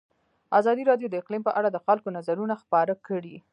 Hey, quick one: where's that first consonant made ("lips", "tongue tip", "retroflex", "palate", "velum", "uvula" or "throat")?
tongue tip